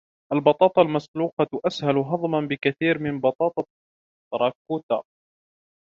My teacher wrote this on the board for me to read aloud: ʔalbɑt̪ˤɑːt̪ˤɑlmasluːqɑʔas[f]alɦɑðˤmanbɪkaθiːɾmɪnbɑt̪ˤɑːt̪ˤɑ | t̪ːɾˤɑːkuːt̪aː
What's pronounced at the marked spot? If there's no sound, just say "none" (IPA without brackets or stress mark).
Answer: h